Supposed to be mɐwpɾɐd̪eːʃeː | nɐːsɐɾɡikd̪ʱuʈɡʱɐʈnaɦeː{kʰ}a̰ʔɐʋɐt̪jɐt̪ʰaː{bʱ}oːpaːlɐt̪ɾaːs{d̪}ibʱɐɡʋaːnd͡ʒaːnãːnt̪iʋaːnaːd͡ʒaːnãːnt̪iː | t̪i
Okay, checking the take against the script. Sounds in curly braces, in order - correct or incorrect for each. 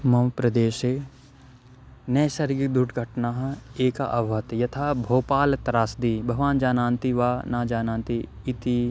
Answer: incorrect, correct, correct

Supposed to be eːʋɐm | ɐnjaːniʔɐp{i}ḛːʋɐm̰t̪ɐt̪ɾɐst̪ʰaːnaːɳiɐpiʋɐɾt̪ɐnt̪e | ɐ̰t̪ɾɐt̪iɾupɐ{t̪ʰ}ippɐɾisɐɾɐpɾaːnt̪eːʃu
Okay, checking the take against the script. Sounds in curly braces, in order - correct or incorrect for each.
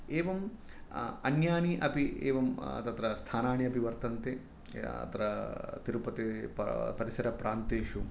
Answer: correct, incorrect

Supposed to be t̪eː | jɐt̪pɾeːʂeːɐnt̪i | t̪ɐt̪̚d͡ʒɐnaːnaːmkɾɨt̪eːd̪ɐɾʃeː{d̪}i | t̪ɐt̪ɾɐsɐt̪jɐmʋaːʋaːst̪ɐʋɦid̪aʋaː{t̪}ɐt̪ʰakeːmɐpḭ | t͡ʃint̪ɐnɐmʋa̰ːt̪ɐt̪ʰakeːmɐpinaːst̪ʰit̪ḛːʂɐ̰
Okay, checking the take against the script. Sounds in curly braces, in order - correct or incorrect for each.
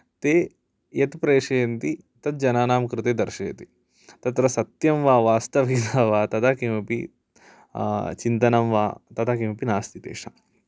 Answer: incorrect, correct

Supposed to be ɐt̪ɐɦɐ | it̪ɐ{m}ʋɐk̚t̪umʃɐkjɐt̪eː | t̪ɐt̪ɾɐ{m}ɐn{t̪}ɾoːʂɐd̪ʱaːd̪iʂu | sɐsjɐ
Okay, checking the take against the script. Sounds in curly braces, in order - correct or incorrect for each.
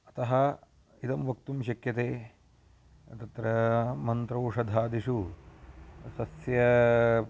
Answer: correct, correct, correct

